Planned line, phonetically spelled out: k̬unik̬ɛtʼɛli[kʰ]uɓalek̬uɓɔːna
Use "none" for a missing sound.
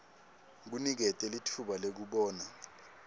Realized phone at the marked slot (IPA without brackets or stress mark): tʰ